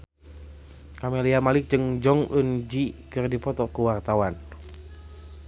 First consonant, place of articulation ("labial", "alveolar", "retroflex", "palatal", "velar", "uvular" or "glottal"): velar